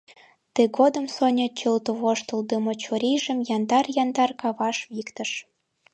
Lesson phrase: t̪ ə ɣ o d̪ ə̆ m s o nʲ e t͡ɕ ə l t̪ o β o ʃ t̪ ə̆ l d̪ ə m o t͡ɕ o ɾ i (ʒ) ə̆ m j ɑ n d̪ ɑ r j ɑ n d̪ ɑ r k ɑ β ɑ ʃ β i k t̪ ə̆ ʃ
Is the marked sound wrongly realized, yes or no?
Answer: no